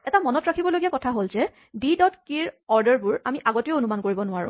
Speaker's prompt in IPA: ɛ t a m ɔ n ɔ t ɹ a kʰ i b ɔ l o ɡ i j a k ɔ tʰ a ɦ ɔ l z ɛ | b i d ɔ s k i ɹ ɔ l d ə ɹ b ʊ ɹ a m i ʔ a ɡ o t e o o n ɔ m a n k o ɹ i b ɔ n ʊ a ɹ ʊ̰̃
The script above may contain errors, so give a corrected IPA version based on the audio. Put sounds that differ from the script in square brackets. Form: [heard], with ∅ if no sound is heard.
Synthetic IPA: ɛ t a m ɔ n ɔ t ɹ a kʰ i b ɔ l o ɡ i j a k ɔ tʰ a ɦ [o] l z ɛ | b i d ɔ [t] k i ɹ ɔ [ɹ] d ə ɹ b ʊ ɹ a m i ʔ a ɡ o t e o o n [u] m a n k o ɹ i b ɔ n ʊ a ɹ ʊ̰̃